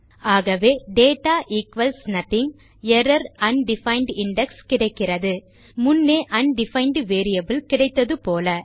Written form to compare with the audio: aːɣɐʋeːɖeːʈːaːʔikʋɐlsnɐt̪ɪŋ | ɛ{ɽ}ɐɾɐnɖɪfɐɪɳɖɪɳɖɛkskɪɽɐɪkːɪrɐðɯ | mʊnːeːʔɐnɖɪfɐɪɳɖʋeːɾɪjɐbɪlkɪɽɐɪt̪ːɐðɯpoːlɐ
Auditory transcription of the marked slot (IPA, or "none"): ɾ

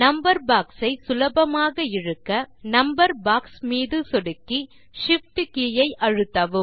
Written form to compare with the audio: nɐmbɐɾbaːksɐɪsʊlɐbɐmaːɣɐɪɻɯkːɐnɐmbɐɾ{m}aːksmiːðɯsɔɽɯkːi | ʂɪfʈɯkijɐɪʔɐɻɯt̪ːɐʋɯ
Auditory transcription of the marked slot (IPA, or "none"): b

